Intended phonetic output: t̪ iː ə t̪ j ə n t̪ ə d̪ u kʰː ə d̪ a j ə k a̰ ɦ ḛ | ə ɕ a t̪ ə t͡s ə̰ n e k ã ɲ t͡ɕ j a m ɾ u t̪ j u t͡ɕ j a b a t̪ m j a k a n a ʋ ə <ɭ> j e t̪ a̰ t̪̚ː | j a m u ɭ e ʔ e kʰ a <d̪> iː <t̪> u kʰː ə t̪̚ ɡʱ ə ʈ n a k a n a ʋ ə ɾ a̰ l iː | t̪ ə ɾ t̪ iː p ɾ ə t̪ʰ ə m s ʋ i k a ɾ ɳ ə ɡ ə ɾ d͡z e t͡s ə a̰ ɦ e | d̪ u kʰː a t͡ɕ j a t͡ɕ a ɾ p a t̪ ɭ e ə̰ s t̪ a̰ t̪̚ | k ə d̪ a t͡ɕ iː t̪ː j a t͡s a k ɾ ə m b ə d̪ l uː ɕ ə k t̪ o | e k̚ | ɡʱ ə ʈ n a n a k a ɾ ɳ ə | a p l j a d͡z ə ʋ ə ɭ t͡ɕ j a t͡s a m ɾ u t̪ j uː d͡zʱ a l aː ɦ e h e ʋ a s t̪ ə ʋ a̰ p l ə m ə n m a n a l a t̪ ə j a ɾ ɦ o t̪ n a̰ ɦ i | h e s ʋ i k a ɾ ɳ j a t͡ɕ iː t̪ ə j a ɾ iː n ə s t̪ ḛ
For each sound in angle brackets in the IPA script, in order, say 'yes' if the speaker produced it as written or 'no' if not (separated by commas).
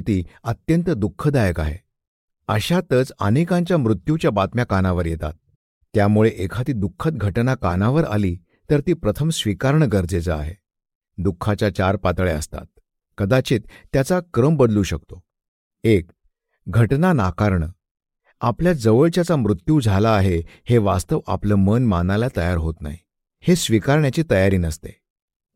no, no, no